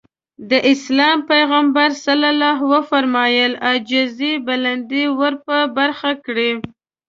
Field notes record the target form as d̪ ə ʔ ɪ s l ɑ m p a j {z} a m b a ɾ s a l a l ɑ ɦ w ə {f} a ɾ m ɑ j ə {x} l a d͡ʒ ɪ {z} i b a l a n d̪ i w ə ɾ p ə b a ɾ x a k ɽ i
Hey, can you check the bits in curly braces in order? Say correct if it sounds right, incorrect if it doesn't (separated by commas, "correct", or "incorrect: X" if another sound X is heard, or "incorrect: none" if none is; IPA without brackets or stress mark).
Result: incorrect: ɣ, correct, incorrect: none, correct